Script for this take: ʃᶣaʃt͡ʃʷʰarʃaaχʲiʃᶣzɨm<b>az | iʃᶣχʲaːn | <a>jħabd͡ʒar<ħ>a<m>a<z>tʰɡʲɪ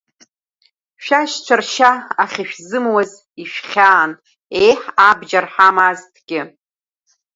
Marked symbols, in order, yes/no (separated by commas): no, no, yes, yes, yes